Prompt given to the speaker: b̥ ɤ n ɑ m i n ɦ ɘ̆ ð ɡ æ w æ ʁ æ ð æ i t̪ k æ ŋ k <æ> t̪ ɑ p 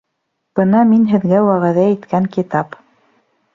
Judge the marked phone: incorrect: i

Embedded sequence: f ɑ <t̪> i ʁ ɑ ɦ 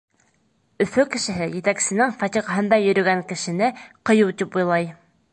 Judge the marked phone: correct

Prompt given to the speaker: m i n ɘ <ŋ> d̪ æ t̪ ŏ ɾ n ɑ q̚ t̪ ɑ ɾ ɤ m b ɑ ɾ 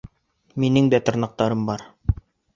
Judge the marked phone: correct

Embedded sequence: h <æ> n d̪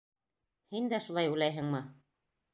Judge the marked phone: incorrect: i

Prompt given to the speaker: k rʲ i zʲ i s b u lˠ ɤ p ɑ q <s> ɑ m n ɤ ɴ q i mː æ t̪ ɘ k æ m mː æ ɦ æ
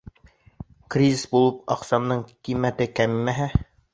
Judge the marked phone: correct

